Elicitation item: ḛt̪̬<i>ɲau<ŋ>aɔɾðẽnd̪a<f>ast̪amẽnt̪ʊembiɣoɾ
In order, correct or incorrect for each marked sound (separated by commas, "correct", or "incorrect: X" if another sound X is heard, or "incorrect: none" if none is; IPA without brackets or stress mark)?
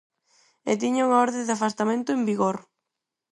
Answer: correct, correct, correct